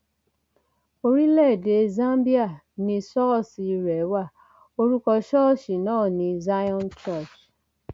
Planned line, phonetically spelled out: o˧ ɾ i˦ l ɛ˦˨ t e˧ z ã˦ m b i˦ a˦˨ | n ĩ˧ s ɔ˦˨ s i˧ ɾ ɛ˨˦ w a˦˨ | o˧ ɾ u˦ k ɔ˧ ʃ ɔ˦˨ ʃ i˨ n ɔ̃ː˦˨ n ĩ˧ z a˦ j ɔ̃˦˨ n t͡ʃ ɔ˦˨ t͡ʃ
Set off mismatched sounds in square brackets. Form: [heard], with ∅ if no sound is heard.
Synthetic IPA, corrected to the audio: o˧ ɾ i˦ l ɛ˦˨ [d] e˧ z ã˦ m b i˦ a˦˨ | n ĩ˧ s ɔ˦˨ s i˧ ɾ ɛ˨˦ w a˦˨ | o˧ ɾ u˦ k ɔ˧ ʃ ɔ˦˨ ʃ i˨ n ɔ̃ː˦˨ n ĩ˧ z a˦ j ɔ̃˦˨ n t͡ʃ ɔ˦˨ t͡ʃ